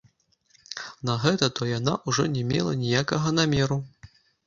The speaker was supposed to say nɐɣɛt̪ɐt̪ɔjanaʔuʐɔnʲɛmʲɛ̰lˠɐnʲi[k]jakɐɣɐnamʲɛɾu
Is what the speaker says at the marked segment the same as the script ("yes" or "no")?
no